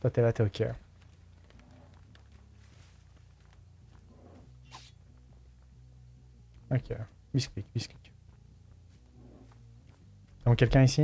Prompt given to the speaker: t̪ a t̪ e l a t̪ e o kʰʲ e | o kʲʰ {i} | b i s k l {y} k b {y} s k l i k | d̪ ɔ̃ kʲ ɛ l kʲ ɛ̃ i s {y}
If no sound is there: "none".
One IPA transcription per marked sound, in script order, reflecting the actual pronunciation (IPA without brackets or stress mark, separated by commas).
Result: e, i, i, i